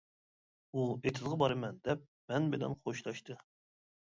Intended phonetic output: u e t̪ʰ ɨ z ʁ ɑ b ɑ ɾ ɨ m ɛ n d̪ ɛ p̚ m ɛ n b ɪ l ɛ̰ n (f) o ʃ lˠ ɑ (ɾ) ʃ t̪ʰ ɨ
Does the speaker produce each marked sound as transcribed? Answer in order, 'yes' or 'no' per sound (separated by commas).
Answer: no, no